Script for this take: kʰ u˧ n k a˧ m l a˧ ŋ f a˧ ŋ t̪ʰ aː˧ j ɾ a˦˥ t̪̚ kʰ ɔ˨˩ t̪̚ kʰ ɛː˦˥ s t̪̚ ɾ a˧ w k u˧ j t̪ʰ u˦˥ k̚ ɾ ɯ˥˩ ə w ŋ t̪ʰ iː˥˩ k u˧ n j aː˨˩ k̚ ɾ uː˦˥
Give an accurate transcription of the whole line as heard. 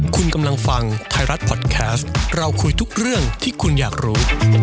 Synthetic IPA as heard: kʰ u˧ n k a˧ m l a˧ ŋ f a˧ ŋ t̪ʰ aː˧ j ɾ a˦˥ t̪̚ pʰ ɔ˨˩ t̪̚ kʰ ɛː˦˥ s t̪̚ ɾ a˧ w kʰ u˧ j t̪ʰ u˦˥ k̚ ɾ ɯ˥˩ ə ŋ t̪ʰ iː˥˩ kʰ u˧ n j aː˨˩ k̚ ɾ uː˦˥